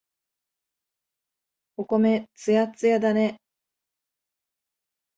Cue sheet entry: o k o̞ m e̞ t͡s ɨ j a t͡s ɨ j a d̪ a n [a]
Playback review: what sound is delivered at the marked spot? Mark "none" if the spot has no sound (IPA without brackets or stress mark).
e